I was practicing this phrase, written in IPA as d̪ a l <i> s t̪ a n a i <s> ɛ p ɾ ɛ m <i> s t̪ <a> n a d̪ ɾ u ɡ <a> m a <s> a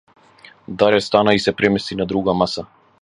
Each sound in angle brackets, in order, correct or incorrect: incorrect, correct, incorrect, incorrect, correct, correct

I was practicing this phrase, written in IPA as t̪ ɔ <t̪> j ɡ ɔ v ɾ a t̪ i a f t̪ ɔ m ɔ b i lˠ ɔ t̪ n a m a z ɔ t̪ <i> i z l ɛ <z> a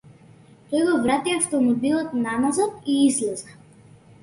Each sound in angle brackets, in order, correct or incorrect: incorrect, correct, correct

